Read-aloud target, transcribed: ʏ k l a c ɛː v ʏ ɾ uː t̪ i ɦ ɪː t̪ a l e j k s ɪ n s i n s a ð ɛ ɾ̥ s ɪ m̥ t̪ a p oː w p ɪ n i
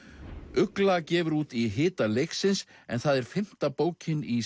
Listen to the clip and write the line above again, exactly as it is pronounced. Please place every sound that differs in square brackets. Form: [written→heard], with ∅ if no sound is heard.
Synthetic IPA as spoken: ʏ k l a c ɛː v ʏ ɾ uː t̪ i ɦ ɪː t̪ a l e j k s ɪ n s [i→ɛ] n [s→θ] a ð ɛ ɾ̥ [s→f] ɪ m̥ t̪ a p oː w [p→c] ɪ n i

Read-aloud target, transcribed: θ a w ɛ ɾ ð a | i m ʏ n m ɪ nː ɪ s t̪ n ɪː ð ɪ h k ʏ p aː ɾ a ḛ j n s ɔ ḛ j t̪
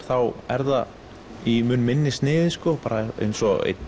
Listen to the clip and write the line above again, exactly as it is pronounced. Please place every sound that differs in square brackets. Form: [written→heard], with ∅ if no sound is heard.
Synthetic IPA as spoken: θ a w ɛ ɾ ð a | i m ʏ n m ɪ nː ɪ s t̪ n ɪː ð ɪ [h→s] k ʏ p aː ɾ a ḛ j n s ɔ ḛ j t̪

